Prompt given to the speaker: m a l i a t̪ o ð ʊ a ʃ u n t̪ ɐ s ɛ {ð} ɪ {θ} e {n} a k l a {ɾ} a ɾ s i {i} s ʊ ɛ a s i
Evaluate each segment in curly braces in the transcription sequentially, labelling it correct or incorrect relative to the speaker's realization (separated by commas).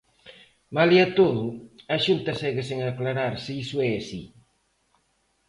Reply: incorrect, incorrect, incorrect, correct, correct